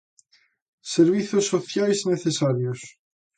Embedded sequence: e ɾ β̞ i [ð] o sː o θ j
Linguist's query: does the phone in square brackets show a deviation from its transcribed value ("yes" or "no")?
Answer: yes